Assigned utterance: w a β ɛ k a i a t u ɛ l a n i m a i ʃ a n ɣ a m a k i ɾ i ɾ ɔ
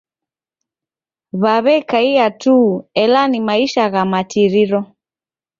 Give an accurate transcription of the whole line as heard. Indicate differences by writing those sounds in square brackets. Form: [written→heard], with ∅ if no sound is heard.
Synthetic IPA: [w→β] a β ɛ k a i a t u ɛ l a n i m a i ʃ a [n→∅] ɣ a m a [k→t] i ɾ i ɾ ɔ